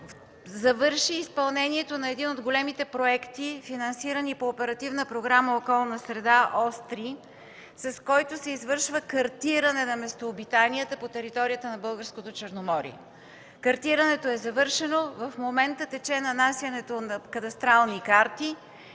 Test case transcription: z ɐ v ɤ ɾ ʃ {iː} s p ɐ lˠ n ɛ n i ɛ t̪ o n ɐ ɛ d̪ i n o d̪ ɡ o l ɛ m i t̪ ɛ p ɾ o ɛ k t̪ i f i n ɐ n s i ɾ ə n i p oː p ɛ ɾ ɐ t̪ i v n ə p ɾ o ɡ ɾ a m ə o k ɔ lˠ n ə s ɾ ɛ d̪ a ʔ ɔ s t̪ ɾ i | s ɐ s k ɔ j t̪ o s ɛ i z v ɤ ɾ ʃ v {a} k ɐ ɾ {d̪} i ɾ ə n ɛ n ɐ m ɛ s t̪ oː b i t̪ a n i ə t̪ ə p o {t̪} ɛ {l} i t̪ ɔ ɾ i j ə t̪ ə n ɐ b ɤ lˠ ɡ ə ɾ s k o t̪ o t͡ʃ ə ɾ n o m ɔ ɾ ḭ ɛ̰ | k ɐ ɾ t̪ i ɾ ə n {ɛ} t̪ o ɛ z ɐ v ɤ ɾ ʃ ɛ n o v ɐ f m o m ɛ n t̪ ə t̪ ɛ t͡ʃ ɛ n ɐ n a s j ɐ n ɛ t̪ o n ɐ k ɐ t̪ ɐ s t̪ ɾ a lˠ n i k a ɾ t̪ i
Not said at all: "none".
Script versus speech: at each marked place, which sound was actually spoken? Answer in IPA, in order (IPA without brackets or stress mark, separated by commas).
iː, ə, t̪, t̪, ɾ, ɛ